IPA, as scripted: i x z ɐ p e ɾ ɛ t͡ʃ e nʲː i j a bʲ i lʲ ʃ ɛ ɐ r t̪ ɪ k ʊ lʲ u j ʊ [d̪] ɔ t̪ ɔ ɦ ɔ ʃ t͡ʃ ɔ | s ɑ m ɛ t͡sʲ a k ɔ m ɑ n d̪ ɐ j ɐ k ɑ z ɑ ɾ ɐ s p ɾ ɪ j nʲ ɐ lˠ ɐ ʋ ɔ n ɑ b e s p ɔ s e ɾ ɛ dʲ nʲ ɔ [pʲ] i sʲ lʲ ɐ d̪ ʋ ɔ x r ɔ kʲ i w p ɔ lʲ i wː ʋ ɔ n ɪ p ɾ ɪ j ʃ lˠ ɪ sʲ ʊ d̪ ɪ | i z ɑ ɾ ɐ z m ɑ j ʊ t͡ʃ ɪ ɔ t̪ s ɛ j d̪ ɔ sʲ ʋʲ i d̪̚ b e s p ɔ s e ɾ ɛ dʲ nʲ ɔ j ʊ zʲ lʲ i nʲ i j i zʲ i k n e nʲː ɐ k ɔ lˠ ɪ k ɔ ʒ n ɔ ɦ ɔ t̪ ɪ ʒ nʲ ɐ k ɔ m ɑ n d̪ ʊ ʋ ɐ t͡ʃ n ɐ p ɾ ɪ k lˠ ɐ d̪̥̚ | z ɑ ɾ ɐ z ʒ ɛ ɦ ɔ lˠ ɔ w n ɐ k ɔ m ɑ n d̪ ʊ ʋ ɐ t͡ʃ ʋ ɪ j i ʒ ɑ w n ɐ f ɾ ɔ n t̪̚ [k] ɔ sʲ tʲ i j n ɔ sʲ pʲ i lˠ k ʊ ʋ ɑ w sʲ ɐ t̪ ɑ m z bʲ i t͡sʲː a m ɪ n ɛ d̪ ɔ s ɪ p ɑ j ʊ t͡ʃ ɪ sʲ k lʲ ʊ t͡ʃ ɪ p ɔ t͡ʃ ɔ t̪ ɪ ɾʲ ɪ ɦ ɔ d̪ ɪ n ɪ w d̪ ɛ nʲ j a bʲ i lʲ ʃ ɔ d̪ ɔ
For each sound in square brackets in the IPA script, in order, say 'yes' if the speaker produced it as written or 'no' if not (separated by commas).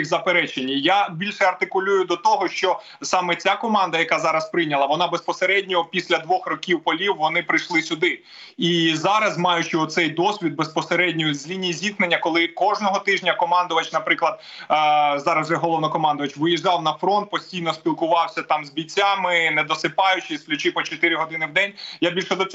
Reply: yes, yes, no